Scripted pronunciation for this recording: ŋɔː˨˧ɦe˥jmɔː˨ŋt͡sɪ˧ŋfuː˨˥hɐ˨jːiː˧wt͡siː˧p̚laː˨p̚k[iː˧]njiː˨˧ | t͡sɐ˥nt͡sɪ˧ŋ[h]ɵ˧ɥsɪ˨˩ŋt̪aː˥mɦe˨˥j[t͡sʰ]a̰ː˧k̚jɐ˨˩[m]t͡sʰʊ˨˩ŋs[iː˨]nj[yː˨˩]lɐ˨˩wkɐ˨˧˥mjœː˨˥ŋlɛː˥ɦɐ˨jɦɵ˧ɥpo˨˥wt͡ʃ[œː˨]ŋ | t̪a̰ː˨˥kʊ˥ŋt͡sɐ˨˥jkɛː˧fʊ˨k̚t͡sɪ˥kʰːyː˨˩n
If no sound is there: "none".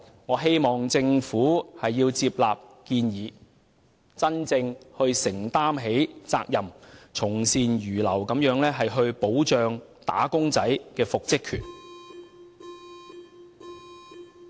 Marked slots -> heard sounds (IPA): iː˧, h, t͡s, m, iː˨, yː˨˩, œː˨

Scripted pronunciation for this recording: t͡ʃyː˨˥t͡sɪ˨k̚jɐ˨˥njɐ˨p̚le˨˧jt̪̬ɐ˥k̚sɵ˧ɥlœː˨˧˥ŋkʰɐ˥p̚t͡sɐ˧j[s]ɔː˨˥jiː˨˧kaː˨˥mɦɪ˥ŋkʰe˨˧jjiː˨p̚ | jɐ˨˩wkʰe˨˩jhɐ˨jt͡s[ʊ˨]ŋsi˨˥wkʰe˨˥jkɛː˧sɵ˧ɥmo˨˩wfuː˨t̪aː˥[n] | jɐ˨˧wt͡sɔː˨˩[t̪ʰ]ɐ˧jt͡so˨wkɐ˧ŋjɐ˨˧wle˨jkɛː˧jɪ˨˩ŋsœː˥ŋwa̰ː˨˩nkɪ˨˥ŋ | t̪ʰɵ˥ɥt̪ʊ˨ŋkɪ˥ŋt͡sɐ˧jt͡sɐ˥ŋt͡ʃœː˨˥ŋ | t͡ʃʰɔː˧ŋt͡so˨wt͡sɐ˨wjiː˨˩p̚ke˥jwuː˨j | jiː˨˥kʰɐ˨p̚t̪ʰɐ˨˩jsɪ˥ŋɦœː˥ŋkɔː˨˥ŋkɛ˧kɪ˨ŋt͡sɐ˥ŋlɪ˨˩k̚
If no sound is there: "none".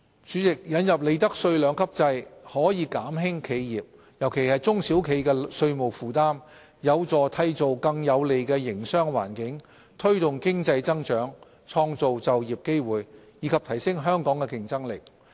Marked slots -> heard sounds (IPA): h, ʊ˥, m, t̪ʰ

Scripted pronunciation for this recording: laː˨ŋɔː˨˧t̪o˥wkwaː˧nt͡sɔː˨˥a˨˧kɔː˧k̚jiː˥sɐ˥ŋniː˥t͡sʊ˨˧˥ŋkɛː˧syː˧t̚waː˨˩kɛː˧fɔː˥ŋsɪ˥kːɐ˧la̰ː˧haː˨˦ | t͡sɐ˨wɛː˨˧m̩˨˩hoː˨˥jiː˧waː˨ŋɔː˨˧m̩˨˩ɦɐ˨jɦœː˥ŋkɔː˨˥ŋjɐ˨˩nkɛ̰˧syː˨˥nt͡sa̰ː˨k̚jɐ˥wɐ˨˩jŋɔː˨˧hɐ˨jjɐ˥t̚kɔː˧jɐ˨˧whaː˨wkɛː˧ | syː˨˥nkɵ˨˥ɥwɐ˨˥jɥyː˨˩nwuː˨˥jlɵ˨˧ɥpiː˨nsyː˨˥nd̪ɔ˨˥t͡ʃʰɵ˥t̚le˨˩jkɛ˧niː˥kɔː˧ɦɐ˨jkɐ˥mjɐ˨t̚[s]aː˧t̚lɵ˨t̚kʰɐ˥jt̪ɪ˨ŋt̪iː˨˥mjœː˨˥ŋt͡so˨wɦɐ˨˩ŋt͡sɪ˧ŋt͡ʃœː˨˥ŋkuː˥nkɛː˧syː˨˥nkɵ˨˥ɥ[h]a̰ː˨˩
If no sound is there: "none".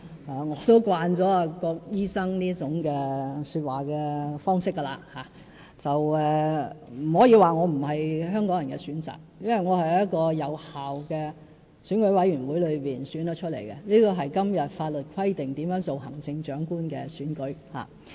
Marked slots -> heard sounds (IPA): f, h

